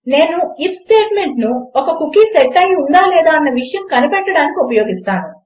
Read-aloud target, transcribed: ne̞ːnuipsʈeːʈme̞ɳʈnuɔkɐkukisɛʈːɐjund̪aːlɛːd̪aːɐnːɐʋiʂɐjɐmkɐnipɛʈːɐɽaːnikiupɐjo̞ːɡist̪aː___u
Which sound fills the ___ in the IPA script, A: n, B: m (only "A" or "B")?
A